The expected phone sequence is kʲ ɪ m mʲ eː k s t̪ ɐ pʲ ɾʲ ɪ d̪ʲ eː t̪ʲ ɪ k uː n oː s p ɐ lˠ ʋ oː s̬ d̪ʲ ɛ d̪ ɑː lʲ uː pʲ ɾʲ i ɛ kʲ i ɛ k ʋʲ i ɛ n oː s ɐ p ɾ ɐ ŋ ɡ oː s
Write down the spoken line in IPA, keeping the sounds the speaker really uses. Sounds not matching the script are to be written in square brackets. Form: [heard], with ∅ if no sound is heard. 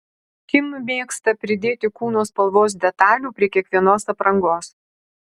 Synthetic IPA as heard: kʲ ɪ m mʲ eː k s t̪ ɐ pʲ ɾʲ ɪ d̪ʲ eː t̪ʲ ɪ k uː n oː s p ɐ lˠ ʋ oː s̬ d̪ʲ ɛ [t̪] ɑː lʲ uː pʲ ɾʲ i ɛ kʲ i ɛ k ʋʲ i ɛ n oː s ɐ p ɾ ɐ ŋ ɡ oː s